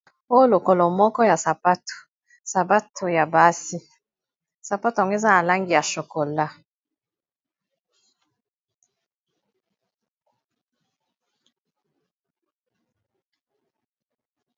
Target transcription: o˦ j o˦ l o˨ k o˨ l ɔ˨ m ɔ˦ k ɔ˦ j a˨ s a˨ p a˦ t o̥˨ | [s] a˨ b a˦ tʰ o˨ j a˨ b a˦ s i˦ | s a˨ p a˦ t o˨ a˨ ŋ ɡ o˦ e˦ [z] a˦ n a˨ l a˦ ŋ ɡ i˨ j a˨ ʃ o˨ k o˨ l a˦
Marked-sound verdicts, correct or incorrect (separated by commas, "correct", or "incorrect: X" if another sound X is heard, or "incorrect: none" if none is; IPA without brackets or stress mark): correct, correct